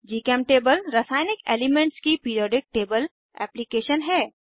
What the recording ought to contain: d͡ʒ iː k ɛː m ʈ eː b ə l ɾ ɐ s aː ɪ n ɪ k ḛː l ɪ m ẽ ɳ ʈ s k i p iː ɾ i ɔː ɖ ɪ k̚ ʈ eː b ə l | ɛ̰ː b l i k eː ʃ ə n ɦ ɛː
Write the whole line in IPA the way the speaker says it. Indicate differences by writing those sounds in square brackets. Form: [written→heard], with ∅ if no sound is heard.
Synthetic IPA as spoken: d͡ʒ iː k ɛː m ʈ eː b ə l ɾ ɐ s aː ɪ n ɪ k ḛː l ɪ m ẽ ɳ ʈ s k i p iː ɾ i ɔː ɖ ɪ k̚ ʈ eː b ə l | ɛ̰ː [b→p] l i k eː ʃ ə n ɦ ɛː